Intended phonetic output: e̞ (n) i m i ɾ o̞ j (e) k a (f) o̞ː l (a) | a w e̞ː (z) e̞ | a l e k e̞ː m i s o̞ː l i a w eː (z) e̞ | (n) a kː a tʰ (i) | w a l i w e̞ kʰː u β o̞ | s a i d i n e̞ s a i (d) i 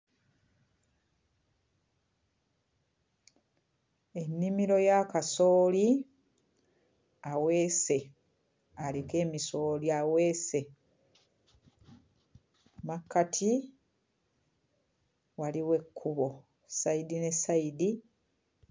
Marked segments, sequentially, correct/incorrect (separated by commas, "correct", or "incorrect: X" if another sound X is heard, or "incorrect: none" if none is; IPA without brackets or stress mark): incorrect: nː, incorrect: a, incorrect: s, incorrect: i, incorrect: s, incorrect: s, incorrect: m, correct, correct